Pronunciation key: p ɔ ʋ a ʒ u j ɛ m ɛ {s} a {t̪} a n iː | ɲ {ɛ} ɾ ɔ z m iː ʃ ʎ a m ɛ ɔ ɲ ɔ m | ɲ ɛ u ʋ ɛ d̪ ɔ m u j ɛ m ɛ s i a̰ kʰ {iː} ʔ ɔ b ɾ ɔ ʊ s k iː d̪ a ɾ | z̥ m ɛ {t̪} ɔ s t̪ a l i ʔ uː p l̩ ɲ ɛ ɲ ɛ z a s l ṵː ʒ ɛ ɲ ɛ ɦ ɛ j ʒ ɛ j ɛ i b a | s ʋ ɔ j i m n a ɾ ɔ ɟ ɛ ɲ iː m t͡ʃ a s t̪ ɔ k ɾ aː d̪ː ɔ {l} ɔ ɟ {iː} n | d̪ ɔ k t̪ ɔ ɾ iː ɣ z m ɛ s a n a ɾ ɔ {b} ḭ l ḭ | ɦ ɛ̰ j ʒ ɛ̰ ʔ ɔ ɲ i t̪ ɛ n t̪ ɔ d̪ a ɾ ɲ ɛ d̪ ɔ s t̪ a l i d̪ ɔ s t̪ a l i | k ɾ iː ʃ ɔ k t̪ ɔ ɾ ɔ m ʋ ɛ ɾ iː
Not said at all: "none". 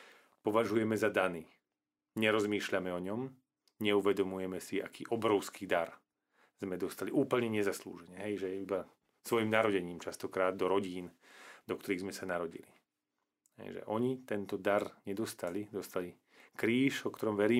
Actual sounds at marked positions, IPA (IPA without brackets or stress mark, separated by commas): z, d̪, ɛ, iː, d̪, ɾ, iː, ɟ